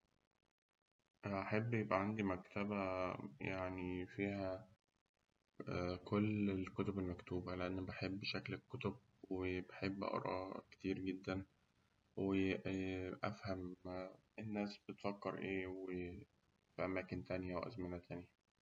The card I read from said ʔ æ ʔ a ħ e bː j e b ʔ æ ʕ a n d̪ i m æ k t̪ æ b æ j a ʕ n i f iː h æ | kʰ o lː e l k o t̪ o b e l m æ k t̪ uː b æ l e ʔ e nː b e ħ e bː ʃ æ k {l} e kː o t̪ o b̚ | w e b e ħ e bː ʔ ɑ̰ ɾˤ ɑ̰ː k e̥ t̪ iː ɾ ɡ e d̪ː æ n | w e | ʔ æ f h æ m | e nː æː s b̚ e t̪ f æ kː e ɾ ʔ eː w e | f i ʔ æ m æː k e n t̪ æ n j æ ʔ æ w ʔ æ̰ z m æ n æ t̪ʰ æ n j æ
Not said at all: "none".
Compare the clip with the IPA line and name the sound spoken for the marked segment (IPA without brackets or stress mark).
l